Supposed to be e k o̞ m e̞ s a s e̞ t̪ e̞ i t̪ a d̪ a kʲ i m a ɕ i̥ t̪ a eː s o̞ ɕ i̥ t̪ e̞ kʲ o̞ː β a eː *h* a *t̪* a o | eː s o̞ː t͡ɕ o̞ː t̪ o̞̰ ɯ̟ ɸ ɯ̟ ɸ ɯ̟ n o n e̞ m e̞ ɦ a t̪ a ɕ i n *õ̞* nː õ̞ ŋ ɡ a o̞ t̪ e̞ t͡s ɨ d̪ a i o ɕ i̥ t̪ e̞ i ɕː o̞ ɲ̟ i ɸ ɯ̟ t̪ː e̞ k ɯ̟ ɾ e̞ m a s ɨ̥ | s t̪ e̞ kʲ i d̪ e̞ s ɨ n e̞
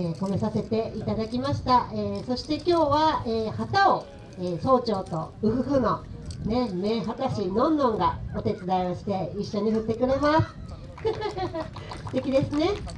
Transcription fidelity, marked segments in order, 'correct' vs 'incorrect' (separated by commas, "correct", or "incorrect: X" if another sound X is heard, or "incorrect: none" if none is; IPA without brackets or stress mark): correct, correct, correct